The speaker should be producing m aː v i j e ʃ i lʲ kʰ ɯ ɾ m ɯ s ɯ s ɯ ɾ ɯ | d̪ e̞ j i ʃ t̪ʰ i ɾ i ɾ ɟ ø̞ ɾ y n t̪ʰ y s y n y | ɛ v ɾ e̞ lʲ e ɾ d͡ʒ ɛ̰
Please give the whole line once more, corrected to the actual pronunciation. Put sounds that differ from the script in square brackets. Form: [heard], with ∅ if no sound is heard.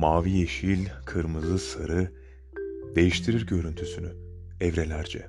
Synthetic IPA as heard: m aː v i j e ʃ i lʲ kʰ ɯ ɾ m ɯ [z] ɯ s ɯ ɾ ɯ | d̪ e̞ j i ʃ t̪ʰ i ɾ i ɾ ɟ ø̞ ɾ y n t̪ʰ y s y n y | ɛ v ɾ e̞ lʲ [æ] ɾ d͡ʒ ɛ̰